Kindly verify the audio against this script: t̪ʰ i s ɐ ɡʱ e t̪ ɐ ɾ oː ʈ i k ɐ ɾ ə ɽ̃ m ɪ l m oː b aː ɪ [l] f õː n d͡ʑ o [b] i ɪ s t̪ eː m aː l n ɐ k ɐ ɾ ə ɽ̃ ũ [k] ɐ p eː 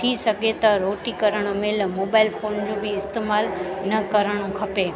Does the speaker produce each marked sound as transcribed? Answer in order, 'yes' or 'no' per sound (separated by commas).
yes, yes, no